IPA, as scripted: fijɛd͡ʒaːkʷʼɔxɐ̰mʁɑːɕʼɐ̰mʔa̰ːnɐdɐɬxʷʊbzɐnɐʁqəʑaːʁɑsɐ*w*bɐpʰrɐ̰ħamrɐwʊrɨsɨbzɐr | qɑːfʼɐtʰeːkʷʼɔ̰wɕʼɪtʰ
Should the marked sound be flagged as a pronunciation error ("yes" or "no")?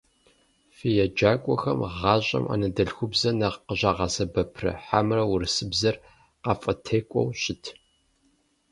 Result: yes